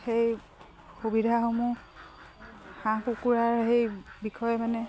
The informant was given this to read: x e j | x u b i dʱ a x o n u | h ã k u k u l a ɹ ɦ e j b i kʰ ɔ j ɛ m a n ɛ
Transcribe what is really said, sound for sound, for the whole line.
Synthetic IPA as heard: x e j | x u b i dʱ a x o m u | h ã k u k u ɹ a ɹ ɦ e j b i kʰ ɔ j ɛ m a n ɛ